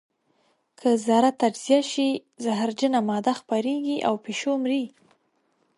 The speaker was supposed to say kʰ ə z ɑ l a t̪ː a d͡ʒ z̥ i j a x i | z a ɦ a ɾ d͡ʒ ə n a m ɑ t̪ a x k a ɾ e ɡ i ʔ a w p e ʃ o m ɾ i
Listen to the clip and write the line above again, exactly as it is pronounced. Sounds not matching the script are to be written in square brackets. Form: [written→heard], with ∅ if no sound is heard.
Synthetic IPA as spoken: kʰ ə z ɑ [l→ɾ] a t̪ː a d͡ʒ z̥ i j a [x→ʃ] i | z a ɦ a ɾ d͡ʒ ə n a m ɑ [t̪→d̪] a x [k→p] a ɾ e ɡ i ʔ a w p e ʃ o m ɾ i